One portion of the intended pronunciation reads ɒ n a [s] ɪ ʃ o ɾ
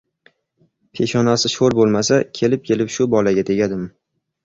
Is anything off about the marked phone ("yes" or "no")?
no